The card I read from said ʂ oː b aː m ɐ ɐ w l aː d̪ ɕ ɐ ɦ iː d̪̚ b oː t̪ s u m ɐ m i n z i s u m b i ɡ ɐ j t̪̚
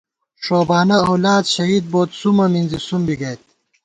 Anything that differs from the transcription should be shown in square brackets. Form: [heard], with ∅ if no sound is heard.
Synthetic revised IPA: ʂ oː b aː [n] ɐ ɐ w l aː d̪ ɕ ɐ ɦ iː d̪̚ b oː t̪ s u m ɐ m i n z i s u m b i ɡ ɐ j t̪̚